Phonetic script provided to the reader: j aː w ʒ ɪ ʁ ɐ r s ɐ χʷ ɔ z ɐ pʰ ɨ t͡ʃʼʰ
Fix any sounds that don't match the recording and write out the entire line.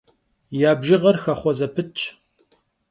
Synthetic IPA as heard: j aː b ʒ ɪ ʁ ɐ r x ɐ χʷ ɔ z ɐ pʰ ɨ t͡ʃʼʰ